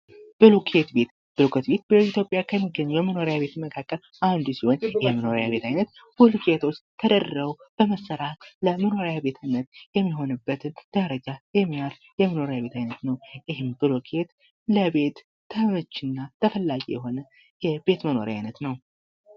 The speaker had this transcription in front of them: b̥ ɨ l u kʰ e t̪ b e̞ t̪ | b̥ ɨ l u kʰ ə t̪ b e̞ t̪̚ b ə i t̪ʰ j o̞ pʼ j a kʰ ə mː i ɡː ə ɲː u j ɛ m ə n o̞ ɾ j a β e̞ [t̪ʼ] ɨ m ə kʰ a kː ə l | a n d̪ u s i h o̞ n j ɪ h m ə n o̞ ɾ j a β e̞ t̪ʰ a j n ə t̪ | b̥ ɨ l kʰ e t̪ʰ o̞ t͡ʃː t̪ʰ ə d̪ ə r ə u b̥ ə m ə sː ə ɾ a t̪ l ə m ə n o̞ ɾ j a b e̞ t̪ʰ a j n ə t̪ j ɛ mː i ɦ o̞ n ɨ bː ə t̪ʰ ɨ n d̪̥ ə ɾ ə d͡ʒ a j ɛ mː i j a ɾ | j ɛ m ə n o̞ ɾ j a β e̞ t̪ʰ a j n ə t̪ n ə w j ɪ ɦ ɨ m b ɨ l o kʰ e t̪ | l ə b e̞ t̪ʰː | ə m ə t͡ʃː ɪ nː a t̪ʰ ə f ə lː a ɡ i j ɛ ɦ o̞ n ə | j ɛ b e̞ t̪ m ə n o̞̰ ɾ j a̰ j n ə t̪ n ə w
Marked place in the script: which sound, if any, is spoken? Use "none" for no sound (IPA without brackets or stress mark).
t̪